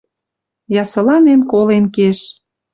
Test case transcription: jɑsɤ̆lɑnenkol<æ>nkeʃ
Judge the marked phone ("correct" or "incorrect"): incorrect